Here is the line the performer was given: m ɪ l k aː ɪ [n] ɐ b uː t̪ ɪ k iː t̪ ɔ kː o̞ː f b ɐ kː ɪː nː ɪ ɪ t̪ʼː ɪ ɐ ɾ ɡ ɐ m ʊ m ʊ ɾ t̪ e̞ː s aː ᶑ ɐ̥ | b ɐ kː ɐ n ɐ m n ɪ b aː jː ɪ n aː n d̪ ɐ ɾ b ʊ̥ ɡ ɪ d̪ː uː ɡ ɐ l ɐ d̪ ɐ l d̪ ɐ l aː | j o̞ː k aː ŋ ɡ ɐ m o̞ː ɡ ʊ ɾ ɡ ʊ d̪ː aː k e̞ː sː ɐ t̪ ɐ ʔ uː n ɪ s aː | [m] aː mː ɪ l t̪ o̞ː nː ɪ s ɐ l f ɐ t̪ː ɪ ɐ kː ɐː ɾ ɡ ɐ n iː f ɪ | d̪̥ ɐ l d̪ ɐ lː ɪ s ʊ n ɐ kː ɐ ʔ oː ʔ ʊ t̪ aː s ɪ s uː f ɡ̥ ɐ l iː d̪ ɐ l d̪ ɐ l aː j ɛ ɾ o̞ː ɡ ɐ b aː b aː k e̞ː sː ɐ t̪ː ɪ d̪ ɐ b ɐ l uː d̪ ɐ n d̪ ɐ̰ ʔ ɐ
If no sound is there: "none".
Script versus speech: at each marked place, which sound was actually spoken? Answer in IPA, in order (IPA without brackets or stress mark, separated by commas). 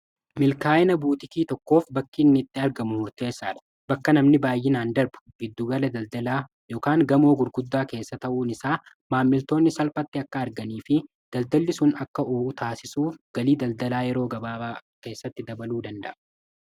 n, m